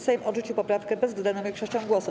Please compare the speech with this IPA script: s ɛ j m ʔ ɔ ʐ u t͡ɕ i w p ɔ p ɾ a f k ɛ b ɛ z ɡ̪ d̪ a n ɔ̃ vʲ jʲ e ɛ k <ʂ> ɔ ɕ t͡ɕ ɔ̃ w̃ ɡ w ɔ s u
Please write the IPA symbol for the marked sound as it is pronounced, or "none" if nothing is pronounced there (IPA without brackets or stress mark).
ʂ